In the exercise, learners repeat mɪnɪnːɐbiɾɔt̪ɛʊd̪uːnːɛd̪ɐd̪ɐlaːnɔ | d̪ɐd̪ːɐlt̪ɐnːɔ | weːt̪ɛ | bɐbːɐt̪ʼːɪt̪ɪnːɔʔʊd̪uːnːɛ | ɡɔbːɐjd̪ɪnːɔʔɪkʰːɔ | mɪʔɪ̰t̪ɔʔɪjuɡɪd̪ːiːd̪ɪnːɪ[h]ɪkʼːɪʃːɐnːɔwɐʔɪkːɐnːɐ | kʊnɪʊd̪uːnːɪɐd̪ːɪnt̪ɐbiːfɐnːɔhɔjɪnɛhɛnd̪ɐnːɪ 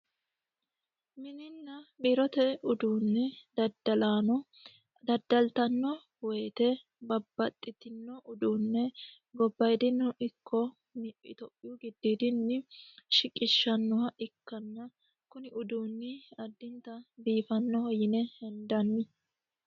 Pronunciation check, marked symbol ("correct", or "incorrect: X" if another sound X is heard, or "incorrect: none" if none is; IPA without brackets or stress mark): incorrect: ʃ